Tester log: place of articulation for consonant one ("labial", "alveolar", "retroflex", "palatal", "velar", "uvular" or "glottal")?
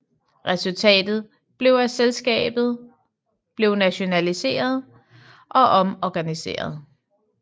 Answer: uvular